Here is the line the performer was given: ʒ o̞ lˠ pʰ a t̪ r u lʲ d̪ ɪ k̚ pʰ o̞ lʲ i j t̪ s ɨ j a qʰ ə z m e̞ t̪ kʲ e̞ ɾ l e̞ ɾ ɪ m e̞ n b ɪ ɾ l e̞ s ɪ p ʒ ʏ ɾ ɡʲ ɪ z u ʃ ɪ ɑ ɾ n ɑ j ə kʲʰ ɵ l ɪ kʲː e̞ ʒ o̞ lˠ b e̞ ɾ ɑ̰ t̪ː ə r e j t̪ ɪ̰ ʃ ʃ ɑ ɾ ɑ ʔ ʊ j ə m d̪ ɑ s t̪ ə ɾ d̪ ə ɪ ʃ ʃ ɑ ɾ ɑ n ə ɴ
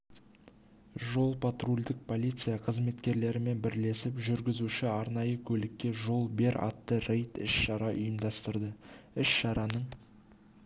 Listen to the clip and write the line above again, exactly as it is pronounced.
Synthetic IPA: ʒ o̞ lˠ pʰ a t̪ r u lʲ d̪ ɪ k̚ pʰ o̞ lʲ i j t̪ s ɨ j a qʰ ə z m e̞ t̪ kʲ e̞ ɾ l e̞ ɾ ɪ m e̞ n b ɪ ɾ l e̞ s ɪ p ʒ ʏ ɾ ɡʲ ɪ z u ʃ ɪ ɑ ɾ n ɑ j ə kʲʰ ɵ l ɪ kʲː e̞ ʒ o̞ lˠ b e̞ ɾ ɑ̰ t̪ː ə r e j t̪ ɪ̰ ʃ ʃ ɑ ɾ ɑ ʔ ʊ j ə m d̪ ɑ s t̪ ə ɾ d̪ ə ɪ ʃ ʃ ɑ ɾ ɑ n ə ɴ